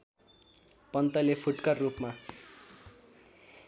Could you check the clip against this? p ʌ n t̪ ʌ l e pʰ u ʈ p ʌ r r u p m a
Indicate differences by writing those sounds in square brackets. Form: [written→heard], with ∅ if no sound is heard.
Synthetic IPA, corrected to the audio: p ʌ n t̪ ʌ l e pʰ u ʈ [p→k] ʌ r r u p m a